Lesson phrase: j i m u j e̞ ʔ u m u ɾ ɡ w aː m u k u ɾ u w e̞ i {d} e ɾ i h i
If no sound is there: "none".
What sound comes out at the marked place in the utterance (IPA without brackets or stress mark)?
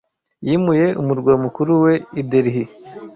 d